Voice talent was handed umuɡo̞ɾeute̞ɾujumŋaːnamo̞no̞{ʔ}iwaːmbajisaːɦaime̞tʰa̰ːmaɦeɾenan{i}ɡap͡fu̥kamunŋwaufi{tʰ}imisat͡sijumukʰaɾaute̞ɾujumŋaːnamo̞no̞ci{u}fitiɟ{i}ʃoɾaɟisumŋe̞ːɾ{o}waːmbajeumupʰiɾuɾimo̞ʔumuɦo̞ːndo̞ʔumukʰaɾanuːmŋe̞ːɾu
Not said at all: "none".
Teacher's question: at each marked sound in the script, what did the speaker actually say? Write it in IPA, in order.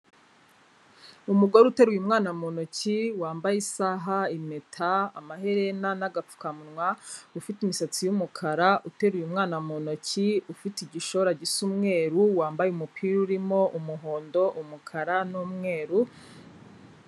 c, a, t, u, i, u

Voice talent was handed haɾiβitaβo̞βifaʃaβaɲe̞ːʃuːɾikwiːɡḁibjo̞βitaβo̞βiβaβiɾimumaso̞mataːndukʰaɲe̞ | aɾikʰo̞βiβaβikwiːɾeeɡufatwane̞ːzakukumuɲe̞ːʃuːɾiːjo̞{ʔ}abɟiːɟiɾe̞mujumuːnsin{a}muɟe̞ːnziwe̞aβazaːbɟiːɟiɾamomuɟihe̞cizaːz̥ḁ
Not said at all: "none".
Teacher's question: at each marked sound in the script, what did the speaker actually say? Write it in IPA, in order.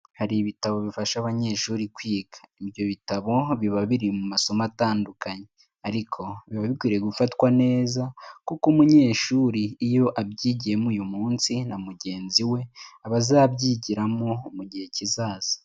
ʔ, a

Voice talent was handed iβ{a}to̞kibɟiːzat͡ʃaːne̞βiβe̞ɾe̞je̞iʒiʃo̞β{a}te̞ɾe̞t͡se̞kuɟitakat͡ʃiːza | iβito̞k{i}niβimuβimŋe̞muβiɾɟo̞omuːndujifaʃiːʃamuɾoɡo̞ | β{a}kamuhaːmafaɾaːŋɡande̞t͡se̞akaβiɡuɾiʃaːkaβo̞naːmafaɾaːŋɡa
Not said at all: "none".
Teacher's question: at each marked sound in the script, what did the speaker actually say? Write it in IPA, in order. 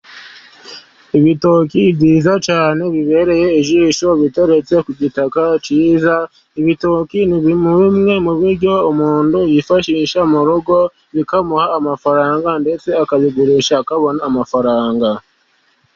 i, i, i, i

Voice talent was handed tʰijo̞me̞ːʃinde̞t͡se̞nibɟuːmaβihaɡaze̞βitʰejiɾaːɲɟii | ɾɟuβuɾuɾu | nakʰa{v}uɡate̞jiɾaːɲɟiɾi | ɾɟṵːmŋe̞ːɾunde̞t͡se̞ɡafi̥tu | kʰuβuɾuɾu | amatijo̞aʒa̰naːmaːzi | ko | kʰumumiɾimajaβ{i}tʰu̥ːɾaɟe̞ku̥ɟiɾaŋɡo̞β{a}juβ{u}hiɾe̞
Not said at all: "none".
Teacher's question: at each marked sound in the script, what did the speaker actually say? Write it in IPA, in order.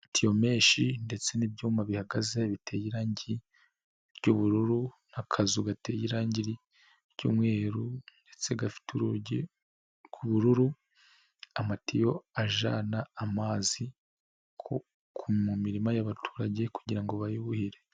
z, a, a, u

